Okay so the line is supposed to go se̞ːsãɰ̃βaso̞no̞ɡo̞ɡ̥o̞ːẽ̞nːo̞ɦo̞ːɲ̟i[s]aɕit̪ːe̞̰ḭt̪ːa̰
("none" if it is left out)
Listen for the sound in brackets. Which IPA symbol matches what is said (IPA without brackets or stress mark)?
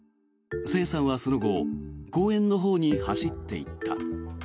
h